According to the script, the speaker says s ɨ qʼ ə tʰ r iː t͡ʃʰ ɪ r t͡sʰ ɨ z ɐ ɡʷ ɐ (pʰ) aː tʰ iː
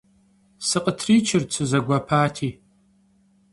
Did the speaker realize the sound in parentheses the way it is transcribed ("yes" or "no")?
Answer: yes